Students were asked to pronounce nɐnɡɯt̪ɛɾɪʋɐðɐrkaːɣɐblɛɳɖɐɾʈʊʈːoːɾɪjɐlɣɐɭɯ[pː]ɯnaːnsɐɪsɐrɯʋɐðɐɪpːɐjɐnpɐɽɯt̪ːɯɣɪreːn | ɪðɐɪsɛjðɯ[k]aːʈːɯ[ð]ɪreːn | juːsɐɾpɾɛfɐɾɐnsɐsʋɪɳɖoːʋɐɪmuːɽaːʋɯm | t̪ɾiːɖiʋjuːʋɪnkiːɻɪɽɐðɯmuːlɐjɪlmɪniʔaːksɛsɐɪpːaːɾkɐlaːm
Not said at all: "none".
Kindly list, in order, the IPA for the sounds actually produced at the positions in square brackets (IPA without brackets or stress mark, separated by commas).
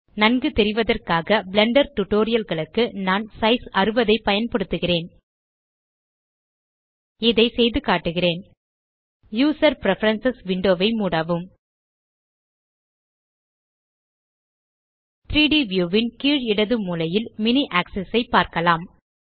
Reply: kː, k, ɣ